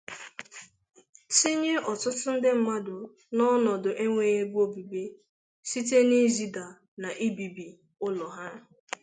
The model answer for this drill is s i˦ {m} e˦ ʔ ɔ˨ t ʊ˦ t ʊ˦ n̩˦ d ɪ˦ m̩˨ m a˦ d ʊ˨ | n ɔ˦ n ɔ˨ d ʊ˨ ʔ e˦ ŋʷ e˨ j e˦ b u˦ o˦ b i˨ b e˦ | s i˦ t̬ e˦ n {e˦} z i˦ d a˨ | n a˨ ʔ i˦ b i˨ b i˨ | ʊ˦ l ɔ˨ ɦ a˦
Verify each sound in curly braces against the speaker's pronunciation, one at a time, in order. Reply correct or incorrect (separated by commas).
incorrect, incorrect